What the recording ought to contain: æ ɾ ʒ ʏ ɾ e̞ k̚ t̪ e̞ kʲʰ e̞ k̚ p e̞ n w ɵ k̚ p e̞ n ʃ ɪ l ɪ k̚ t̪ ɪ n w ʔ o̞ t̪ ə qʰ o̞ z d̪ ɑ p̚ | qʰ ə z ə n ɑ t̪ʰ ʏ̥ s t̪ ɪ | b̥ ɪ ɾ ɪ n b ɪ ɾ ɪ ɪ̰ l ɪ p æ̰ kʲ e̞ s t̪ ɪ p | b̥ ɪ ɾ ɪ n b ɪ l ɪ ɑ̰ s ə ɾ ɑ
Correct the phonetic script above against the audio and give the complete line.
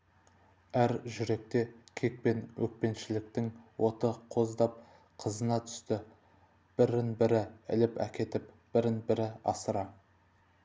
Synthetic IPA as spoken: æ ɾ ʒ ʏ ɾ e̞ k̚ t̪ e̞ kʲʰ e̞ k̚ p e̞ n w ɵ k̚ p e̞ n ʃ ɪ l ɪ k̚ t̪ ɪ ŋ w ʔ o̞ t̪ ə qʰ o̞ z d̪ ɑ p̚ | qʰ ə z ə n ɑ t̪ʰ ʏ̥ s t̪ ɪ | b̥ ɪ ɾ ɪ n b ɪ ɾ ɪ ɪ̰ l ɪ p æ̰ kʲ e̞ t̪ ɪ p | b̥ ɪ ɾ ɪ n b ɪ ɾ ɪ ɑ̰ s ə ɾ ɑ